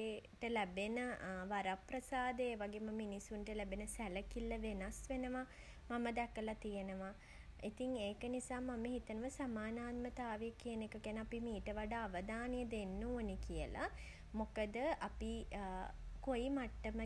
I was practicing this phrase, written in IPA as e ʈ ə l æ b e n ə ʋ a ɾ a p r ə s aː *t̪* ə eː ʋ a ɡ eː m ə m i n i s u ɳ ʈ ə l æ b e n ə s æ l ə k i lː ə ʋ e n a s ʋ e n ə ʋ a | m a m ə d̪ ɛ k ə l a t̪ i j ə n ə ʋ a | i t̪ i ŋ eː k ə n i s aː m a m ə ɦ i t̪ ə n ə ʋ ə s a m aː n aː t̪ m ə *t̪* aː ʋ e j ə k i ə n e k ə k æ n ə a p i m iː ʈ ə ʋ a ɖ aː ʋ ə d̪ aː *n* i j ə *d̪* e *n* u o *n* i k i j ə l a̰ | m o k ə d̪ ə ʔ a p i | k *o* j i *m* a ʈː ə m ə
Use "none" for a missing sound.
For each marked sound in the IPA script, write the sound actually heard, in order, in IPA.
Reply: d̪, t̪, n, d̪, nː, n, o, m

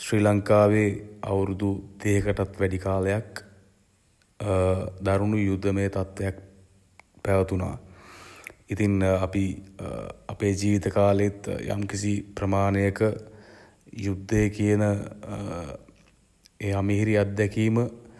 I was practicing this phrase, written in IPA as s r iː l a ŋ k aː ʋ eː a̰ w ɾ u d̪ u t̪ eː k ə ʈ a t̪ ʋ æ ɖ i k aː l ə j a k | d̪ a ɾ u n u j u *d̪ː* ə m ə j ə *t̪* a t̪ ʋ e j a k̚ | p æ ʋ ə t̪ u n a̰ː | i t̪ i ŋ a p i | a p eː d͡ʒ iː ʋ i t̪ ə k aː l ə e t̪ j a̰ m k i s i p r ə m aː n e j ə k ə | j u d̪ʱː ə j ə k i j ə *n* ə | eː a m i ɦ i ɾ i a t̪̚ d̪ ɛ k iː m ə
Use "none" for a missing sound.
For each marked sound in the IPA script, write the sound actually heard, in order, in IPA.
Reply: d̪ː, t̪, n

